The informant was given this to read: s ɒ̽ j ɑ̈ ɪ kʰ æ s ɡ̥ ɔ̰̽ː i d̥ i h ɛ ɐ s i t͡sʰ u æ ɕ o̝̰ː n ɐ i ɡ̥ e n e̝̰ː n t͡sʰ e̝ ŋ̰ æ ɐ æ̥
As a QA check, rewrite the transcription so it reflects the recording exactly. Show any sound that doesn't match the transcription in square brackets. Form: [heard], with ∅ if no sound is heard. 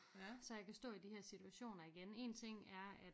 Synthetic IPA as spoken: s ɒ̽ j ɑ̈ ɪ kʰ æ s [d̥] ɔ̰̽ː i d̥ i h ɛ ɐ s i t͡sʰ u æ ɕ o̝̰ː n ɐ i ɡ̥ e n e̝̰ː n t͡sʰ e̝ ŋ̰ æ ɐ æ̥